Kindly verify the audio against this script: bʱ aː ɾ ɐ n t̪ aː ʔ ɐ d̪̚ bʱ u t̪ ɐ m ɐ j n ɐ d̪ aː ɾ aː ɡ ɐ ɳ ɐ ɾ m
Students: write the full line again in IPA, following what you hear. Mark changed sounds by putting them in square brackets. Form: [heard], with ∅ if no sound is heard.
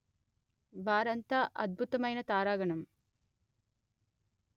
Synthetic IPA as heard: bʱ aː ɾ ɐ n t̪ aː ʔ ɐ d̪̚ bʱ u t̪ ɐ m ɐ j n ɐ [t̪] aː ɾ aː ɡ ɐ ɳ ɐ [∅] m